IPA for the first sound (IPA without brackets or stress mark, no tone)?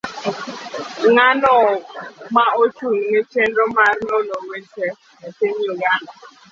ŋ